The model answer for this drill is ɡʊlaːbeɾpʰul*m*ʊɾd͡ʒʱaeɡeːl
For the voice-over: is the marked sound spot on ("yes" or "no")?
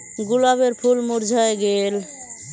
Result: yes